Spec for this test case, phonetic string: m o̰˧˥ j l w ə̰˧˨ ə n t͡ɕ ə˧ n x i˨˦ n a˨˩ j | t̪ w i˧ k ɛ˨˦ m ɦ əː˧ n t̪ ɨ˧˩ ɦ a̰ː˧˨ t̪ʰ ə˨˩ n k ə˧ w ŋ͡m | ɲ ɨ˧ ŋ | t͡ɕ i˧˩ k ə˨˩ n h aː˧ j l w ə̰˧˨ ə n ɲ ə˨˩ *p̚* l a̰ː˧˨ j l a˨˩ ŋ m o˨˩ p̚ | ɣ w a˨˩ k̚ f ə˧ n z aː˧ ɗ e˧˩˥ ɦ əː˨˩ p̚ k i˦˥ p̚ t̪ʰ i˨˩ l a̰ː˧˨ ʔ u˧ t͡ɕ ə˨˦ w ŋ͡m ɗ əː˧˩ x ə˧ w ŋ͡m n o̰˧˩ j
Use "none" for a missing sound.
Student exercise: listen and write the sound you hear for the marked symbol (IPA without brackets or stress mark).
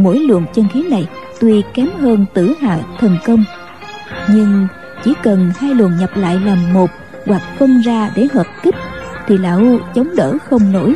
p̚